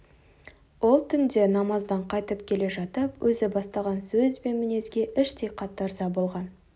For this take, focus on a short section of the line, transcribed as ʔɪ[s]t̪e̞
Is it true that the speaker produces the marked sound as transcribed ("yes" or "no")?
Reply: no